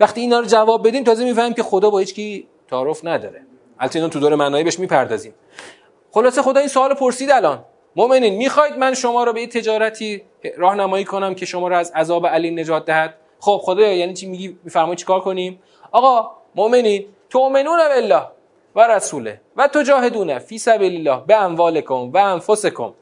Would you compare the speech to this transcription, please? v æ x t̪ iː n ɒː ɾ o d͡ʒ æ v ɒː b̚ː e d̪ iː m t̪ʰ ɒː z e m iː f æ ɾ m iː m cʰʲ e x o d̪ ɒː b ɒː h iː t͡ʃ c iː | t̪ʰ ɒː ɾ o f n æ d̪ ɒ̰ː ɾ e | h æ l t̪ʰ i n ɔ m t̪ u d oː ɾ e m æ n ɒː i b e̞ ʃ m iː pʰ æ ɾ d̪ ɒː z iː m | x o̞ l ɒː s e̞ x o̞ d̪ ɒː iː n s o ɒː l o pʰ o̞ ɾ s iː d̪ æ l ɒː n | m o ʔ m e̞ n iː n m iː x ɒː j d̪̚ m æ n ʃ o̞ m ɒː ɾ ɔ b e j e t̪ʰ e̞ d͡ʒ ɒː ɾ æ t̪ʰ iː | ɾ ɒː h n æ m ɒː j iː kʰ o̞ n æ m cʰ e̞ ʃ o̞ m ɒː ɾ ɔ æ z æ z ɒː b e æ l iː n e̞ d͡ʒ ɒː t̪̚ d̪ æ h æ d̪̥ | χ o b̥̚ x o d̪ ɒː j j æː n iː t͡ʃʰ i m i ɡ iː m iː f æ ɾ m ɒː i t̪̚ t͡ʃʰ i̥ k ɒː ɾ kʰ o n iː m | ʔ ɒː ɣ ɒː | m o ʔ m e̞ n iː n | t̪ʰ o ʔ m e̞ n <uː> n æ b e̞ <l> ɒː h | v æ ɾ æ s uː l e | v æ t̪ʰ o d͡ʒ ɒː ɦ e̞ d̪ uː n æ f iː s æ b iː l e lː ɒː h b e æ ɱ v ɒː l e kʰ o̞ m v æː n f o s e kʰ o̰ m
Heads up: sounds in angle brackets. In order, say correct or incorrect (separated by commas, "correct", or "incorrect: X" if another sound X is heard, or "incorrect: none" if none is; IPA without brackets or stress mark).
correct, incorrect: lː